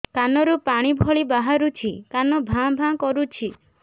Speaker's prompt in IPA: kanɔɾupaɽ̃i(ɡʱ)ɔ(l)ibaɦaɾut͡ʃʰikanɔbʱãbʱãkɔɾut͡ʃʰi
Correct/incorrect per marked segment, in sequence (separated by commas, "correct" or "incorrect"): incorrect, incorrect